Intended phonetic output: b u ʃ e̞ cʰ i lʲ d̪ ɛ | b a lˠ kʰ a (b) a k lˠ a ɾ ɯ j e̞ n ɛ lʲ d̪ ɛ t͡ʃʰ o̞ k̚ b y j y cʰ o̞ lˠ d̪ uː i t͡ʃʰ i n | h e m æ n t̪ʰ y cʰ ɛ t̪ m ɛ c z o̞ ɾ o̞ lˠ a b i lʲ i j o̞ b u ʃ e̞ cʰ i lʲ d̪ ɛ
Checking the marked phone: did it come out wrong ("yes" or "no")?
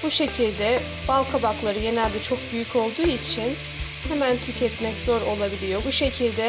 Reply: no